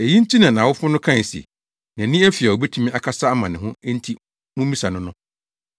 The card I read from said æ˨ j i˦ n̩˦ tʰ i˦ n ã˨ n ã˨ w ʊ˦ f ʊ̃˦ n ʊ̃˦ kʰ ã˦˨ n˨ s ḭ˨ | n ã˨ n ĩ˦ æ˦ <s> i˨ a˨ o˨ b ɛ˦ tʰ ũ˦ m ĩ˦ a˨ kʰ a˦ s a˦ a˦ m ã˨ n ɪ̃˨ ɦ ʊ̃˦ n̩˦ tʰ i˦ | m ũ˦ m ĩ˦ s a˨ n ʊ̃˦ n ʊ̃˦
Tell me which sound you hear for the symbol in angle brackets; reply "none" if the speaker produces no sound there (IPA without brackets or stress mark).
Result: f